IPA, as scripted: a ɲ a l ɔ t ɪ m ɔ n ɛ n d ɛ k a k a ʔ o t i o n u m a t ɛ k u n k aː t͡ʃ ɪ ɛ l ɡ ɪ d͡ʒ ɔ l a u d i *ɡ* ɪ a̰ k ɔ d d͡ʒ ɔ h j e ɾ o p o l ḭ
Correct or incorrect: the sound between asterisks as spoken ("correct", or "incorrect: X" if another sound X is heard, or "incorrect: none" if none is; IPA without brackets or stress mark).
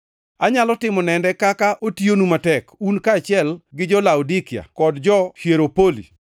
incorrect: k